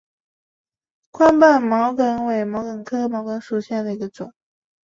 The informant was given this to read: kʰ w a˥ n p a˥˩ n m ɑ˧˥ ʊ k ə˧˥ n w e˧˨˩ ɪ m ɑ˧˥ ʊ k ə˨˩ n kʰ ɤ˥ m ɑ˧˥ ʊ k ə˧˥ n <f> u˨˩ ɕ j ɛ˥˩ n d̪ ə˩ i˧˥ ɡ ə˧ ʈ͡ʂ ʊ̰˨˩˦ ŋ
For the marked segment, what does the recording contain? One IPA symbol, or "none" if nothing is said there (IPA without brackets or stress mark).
ʂ